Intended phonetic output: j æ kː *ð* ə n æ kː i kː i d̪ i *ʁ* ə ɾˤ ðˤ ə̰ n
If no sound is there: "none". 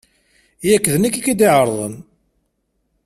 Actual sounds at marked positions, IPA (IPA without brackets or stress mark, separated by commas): ð, ʕ